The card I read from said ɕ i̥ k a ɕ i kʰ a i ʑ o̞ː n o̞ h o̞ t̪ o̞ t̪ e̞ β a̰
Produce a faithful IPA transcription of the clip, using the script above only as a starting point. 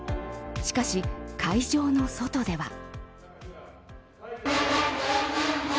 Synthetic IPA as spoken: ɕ i̥ k a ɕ i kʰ a i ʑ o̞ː n o̞ s o̞ t̪ o̞ d̪ e̞ β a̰